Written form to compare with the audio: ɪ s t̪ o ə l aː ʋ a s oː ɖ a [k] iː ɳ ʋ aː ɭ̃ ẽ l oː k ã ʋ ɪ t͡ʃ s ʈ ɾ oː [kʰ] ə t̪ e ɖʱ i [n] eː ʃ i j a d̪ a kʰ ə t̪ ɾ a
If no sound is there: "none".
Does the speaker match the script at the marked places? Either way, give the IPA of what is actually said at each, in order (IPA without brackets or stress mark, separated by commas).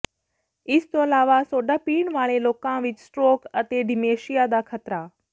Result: p, k, m